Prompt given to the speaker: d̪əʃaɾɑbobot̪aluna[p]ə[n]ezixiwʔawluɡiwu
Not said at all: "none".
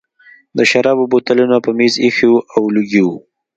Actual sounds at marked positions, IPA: p, m

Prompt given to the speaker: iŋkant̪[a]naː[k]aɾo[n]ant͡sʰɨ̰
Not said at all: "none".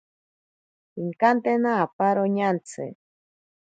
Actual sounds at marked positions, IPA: e, p, ɲ

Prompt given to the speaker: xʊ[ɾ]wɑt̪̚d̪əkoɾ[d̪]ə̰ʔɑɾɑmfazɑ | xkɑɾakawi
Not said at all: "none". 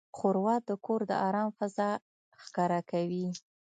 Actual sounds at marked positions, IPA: ɾ, d̪

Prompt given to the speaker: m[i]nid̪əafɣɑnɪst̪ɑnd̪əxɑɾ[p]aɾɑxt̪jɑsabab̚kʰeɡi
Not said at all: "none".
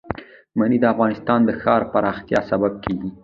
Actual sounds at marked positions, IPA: a, p

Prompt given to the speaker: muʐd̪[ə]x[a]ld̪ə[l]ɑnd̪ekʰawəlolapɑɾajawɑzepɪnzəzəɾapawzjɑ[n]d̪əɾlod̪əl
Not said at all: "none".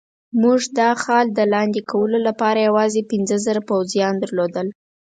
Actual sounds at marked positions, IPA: ɑ, ɑ, l, n

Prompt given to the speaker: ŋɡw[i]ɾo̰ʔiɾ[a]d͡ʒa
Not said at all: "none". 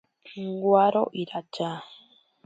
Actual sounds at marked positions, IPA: a, a

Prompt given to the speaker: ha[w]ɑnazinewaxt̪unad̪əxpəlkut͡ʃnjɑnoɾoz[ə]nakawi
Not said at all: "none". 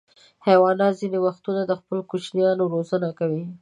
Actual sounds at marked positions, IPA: w, ə

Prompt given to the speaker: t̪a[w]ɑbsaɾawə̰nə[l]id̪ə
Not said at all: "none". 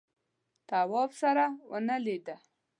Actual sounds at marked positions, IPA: w, l

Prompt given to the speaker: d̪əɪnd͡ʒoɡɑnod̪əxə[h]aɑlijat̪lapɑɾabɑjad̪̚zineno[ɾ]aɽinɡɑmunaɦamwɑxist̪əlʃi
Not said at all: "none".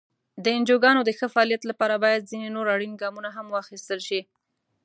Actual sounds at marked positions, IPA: f, ɾ

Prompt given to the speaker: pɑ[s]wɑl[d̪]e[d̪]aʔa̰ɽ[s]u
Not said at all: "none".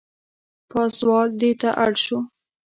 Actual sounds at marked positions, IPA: s, d̪, t̪, ʃ

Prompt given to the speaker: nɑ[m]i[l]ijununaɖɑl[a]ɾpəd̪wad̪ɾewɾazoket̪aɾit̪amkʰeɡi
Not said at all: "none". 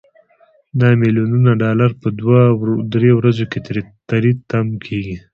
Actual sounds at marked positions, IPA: m, l, a

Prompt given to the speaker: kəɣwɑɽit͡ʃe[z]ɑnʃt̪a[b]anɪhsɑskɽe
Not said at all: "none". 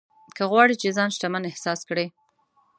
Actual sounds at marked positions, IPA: z, m

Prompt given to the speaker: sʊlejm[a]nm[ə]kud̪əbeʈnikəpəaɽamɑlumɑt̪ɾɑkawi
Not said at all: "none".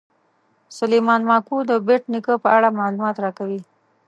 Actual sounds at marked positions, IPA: ɑ, ɑ

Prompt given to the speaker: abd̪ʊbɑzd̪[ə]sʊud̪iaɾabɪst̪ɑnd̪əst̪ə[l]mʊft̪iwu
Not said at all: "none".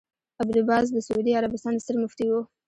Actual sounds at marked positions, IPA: ə, ɾ

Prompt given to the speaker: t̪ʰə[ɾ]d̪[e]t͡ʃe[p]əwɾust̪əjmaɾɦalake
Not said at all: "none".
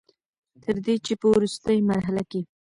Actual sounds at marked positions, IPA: ɾ, e, p

